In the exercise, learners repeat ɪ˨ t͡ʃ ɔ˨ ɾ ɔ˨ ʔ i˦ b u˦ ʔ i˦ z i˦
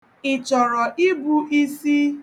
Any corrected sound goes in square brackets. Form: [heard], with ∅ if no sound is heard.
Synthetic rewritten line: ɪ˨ t͡ʃ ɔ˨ ɾ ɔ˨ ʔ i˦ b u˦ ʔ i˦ [s] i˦

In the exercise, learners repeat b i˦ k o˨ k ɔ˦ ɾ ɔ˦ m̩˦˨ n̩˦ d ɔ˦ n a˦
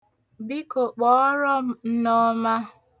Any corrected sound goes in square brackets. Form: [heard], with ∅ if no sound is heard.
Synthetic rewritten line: b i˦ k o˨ [k͡p] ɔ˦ ɾ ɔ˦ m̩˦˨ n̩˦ [n] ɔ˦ [m] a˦

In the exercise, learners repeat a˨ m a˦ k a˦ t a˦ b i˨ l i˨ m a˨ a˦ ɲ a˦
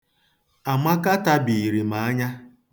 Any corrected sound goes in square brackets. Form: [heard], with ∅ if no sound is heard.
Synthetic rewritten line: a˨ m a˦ k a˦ t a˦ b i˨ [ɾ] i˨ m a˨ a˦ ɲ a˦

